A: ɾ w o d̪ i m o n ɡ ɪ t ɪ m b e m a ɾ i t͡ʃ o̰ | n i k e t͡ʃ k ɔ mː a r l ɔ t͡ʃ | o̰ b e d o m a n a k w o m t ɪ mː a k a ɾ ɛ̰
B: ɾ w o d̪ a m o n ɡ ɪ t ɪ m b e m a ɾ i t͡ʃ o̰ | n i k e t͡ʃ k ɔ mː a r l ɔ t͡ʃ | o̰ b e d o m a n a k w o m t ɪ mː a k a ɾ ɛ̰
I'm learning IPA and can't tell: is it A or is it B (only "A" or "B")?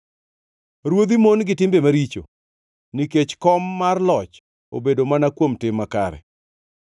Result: A